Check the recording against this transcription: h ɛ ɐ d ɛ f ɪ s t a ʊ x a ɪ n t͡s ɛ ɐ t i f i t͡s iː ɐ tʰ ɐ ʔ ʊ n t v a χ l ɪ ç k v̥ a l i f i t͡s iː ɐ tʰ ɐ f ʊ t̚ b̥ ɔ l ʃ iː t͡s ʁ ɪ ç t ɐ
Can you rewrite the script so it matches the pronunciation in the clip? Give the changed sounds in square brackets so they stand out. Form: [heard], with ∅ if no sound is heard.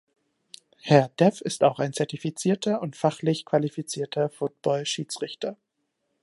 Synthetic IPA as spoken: h ɛ ɐ d ɛ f ɪ s t a ʊ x a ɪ n t͡s ɛ ɐ t i f i t͡s iː ɐ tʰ ɐ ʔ ʊ n t [f] a χ l ɪ ç k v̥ a l i f i t͡s iː ɐ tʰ ɐ f ʊ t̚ b̥ ɔ l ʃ iː t͡s ʁ ɪ ç t ɐ